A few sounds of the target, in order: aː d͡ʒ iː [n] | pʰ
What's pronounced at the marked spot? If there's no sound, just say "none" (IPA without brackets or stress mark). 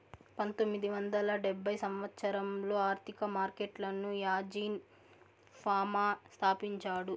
n